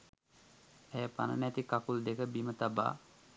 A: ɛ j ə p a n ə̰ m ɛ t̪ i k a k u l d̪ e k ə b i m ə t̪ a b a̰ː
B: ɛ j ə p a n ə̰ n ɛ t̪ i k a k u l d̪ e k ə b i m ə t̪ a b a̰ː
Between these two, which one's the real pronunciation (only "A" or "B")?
B